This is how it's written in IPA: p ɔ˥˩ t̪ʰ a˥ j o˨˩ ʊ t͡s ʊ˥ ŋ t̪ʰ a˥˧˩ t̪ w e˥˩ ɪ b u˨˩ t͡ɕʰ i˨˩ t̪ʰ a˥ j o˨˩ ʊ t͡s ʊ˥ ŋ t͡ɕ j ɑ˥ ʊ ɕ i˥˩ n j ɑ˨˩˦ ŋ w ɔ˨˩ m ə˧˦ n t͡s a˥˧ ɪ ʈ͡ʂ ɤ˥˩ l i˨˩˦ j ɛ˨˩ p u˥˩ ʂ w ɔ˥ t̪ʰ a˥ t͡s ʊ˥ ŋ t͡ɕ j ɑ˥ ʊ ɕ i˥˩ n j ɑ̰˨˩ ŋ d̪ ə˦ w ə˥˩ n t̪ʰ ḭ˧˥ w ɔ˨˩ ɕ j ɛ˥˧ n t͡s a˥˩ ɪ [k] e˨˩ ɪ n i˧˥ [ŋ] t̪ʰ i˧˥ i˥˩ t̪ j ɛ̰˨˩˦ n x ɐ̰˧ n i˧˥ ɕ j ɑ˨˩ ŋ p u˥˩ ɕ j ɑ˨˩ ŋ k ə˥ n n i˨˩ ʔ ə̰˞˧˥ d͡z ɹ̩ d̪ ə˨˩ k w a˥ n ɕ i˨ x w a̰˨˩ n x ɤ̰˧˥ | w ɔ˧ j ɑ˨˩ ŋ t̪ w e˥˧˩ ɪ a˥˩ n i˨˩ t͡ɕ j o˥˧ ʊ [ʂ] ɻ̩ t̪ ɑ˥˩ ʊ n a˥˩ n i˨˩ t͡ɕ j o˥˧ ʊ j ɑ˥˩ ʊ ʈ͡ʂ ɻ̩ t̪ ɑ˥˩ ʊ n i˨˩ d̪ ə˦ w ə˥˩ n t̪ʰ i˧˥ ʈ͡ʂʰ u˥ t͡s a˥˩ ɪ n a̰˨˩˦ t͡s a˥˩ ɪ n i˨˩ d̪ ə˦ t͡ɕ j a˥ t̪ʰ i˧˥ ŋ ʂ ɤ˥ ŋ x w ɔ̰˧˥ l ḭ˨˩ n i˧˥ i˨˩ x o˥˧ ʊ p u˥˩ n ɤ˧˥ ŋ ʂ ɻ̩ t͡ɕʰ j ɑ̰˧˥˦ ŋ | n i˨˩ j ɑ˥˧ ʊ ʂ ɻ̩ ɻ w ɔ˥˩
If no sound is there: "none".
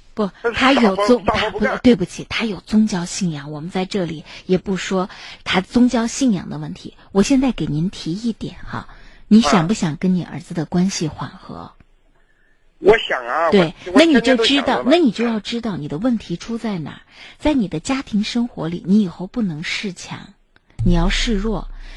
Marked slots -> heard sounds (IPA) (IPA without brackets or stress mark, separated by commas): k, n, ʈ͡ʂ